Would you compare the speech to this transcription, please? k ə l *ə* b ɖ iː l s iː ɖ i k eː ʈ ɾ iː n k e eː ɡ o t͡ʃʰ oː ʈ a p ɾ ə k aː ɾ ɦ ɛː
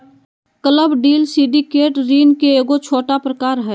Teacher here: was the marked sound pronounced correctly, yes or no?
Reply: yes